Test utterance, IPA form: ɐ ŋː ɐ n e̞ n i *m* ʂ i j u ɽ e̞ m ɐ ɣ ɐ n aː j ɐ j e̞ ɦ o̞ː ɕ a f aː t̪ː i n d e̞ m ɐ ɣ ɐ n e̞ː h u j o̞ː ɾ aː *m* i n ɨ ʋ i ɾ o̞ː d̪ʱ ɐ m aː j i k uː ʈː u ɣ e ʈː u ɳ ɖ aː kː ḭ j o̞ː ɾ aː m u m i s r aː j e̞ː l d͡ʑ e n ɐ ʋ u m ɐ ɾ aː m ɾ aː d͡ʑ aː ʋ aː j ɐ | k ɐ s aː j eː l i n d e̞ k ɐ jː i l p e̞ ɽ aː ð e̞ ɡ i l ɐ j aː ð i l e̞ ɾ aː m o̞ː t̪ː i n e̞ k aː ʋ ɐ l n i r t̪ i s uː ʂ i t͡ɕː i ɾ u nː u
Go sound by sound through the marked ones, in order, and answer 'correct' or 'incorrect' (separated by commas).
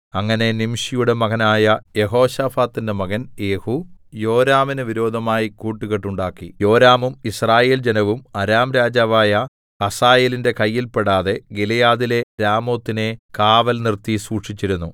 correct, correct